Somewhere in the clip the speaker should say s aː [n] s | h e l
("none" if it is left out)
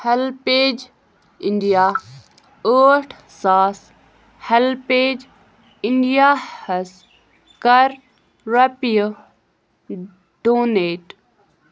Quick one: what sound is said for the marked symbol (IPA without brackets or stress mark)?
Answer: none